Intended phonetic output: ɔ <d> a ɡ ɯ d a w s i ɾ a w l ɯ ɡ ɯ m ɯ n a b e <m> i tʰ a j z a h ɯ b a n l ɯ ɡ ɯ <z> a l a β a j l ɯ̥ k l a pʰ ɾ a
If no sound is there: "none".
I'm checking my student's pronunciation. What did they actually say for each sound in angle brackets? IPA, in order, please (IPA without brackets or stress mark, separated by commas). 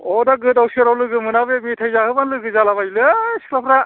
d, m, z